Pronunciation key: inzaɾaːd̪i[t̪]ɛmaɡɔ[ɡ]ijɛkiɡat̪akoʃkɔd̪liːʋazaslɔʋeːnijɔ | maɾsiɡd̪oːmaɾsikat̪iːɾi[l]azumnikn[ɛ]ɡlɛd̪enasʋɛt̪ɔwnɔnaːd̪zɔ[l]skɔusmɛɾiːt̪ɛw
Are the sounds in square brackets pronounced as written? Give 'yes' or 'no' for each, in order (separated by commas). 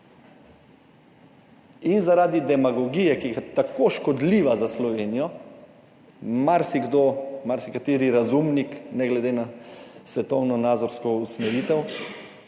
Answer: no, yes, no, yes, no